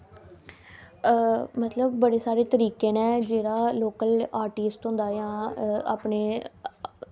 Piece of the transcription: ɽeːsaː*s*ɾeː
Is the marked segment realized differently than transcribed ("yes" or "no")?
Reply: yes